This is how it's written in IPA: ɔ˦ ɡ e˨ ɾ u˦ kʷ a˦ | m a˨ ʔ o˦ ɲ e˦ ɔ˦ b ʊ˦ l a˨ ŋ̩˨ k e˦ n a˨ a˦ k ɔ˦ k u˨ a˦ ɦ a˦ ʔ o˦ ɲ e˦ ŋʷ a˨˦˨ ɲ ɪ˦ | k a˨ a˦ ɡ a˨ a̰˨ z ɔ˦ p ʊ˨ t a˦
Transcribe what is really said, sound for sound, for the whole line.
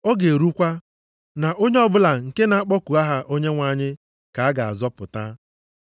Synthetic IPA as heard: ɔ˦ ɡ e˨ ɾ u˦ kʷ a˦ | n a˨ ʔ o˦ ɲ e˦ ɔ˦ b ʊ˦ l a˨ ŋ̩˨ k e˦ n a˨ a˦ k͡p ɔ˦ k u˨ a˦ ɦ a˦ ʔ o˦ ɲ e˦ ŋʷ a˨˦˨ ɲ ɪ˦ | k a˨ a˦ ɡ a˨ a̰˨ z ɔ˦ p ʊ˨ t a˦